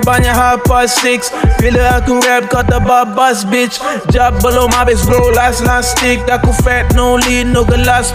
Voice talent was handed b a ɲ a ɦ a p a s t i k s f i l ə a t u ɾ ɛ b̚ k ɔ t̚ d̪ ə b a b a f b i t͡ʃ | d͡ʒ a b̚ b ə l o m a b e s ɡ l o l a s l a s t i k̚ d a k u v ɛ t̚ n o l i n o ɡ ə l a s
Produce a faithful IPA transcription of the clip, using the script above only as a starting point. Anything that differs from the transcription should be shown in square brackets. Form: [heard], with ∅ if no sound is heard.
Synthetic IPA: b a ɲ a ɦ a p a s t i k s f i l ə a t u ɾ ɛ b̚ k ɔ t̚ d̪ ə b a b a [s] b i t͡ʃ | d͡ʒ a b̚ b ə l o m a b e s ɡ l o l a s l a s t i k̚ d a k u [f] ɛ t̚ n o l i n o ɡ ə l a s